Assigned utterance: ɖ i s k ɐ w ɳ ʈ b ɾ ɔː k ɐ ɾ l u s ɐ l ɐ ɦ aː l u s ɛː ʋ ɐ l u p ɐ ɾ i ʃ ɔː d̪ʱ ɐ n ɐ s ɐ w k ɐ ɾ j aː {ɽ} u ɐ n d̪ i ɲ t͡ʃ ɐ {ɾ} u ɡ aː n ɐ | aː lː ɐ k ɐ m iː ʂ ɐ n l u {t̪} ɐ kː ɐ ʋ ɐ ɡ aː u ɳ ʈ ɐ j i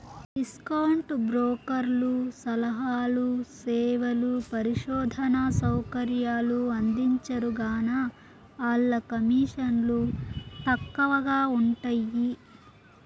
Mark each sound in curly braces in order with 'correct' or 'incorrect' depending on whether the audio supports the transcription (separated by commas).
incorrect, correct, correct